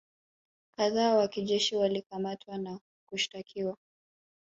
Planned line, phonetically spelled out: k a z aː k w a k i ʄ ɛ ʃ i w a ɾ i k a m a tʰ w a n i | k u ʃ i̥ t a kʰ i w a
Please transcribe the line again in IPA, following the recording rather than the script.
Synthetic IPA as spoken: k a ð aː w a k i ʄ ɛ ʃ i w a l i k a m a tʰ w a n a | k u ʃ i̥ t a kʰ i w a